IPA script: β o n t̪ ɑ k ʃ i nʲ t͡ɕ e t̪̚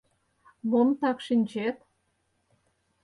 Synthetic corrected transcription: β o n t̪ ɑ k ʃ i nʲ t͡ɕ e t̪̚